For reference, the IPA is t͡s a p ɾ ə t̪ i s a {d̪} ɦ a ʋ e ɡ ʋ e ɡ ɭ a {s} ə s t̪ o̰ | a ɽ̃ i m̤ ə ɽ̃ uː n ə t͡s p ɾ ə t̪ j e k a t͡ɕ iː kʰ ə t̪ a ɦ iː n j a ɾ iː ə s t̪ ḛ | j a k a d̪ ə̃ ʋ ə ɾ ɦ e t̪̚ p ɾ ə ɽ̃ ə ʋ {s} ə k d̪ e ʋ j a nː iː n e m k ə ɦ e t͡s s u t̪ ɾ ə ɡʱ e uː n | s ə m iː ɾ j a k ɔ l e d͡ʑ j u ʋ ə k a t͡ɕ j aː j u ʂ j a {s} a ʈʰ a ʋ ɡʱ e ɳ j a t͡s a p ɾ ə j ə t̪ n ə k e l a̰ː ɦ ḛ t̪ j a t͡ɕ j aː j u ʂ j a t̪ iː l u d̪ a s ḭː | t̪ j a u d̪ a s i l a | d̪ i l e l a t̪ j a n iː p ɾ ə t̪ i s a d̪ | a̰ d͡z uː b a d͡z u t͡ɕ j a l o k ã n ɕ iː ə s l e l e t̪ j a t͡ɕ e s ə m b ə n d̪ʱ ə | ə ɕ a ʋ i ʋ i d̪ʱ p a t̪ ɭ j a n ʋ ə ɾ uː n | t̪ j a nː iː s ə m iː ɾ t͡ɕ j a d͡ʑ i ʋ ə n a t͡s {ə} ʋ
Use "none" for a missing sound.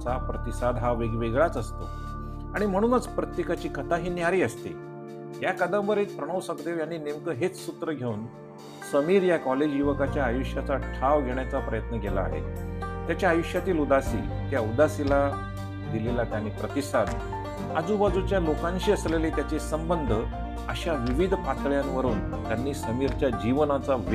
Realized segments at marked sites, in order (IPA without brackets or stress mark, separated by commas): d̪, t͡s, s, t͡s, a